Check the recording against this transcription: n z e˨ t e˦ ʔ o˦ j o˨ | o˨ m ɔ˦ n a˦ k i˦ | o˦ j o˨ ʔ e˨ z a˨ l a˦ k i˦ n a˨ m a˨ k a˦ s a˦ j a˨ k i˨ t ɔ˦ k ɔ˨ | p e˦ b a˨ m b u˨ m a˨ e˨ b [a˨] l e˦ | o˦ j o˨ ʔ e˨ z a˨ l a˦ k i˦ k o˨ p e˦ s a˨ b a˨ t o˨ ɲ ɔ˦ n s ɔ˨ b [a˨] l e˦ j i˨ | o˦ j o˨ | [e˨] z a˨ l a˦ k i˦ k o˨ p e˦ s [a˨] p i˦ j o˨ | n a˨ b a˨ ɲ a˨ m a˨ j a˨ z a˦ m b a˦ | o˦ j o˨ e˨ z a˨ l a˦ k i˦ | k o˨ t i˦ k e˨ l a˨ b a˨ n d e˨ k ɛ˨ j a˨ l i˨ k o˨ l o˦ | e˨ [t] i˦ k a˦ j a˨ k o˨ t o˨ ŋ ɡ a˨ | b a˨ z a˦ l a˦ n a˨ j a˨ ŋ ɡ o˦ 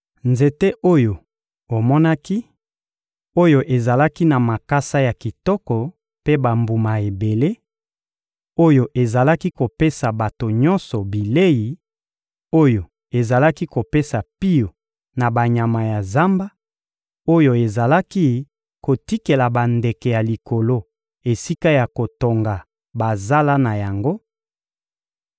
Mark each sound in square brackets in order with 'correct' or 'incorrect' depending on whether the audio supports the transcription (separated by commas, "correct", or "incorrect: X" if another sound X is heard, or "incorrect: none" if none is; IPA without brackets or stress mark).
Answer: incorrect: e˨, incorrect: i˨, correct, correct, incorrect: s